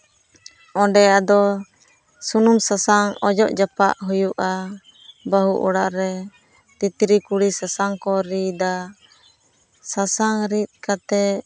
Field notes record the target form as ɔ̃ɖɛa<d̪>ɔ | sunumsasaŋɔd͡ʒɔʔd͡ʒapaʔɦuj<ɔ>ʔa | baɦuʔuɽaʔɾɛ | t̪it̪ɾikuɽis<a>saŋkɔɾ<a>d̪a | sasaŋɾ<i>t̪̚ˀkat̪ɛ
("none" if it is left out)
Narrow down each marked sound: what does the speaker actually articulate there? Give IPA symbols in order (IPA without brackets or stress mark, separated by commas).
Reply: d̪, u, a, i, i